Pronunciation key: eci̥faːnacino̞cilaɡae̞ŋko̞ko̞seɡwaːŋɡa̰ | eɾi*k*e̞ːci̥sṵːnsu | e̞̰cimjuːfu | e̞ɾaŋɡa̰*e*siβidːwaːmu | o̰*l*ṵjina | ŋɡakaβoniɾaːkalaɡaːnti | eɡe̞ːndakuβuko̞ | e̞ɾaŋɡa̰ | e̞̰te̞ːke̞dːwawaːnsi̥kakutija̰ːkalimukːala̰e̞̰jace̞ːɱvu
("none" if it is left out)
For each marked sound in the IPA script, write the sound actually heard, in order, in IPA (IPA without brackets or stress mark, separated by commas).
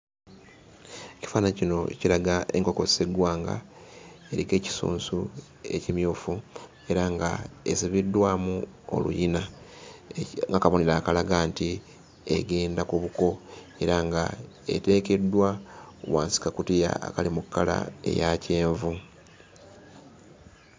k, e, l